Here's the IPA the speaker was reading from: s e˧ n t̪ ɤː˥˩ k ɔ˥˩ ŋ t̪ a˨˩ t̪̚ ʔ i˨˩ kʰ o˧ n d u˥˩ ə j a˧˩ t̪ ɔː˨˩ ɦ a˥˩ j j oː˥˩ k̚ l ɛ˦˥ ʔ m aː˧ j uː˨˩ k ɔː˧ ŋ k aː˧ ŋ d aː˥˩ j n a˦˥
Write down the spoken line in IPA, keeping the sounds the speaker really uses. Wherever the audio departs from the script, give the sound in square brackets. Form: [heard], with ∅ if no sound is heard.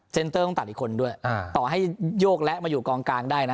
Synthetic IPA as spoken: s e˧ n t̪ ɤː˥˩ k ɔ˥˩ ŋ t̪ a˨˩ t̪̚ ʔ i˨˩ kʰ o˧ n d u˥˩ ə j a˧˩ t̪ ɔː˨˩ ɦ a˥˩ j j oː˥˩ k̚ l ɛ˦˥ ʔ m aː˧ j uː˨˩ k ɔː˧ ŋ k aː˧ ŋ d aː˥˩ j n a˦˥